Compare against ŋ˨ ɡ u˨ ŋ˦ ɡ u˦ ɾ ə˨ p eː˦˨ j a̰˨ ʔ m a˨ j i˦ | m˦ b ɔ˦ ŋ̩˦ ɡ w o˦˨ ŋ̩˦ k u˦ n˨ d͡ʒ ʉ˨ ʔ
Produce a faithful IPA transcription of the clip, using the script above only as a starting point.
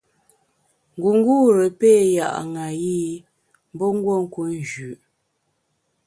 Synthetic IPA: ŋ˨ ɡ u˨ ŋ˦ ɡ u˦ ɾ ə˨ p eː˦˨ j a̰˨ ʔ ŋ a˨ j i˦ | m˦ b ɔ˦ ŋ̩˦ ɡ w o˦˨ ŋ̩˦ k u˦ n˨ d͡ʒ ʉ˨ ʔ